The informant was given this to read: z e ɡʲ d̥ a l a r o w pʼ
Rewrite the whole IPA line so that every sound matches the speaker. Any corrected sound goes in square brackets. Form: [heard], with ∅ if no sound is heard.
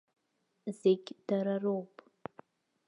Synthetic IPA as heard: z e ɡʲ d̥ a [ɾ] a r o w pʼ